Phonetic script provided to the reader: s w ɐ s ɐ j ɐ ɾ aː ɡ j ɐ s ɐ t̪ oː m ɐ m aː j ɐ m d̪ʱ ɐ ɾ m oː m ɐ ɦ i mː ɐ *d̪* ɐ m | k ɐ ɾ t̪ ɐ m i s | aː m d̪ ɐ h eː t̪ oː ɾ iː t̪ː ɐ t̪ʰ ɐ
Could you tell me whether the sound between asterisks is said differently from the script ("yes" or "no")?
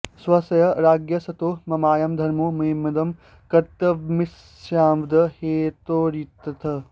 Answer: no